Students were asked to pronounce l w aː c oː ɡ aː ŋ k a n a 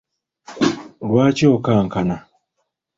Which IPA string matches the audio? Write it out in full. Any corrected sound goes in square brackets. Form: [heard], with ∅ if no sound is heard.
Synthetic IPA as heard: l w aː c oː [k] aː ŋ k a n a